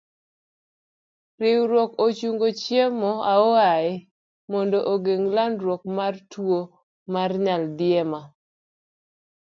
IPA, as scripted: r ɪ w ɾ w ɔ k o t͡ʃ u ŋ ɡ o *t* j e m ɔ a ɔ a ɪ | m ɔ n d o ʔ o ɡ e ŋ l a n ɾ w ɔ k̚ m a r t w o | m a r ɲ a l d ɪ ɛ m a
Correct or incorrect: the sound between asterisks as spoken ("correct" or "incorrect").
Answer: incorrect